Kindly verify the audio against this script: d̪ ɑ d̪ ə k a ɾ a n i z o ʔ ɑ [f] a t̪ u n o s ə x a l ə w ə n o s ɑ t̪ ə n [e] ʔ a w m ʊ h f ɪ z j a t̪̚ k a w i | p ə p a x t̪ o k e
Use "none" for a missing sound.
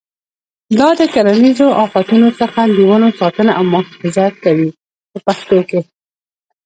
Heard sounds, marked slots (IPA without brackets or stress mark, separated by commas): f, a